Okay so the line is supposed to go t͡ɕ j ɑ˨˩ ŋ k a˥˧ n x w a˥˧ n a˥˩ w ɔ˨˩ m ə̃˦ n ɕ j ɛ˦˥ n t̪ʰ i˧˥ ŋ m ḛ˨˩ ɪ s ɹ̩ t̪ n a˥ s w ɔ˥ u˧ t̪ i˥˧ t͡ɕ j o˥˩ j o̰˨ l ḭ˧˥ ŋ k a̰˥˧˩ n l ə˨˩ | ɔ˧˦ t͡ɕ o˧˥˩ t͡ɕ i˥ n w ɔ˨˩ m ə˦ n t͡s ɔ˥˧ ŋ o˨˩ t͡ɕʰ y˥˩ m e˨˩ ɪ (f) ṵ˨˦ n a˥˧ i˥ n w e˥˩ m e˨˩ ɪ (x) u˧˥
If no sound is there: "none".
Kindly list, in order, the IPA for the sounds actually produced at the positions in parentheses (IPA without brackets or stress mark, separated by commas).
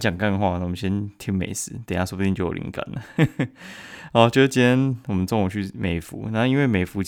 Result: f, f